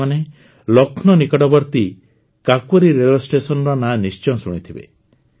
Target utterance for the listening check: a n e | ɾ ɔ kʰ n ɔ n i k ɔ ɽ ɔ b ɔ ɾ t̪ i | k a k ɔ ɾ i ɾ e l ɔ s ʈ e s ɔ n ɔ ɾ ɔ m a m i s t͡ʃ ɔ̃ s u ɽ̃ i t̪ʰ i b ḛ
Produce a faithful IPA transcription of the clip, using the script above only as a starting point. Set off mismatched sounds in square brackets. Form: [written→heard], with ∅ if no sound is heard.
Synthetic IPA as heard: a n e | [ɾ→l] ɔ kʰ n ɔ n i k ɔ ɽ ɔ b ɔ ɾ t̪ i | k a k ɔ ɾ i ɾ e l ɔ s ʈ e s ɔ n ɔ ɾ ɔ [m→n] a [m→n] i s t͡ʃ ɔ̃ s u ɽ̃ i t̪ʰ i b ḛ